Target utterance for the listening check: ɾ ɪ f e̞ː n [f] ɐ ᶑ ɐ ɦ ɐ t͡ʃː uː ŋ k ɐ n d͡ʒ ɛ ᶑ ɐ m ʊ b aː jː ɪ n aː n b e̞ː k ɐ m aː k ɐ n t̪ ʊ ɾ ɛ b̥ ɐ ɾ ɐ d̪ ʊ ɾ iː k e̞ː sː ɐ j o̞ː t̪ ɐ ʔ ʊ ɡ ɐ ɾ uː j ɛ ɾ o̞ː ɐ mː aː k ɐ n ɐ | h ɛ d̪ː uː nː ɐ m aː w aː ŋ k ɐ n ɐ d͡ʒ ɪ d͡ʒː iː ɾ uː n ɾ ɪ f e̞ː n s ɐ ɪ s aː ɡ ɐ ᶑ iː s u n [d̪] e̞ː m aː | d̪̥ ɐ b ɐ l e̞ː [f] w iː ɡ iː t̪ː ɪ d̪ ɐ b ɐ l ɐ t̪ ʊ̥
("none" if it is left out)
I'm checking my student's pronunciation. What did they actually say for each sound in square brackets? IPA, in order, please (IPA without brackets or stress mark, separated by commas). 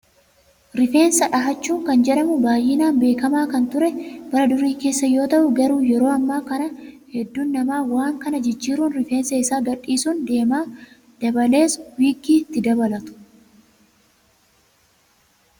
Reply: s, d̪, s